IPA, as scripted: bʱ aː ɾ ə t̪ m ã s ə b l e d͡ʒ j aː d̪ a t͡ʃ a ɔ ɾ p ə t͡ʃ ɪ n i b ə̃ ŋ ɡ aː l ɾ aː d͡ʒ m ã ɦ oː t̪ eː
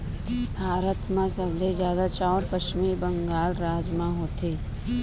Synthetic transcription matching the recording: bʱ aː ɾ ə t̪ m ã s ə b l e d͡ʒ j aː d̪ a t͡ʃ a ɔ ɾ p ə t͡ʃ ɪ m i b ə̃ ŋ ɡ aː l ɾ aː d͡ʒ m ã ɦ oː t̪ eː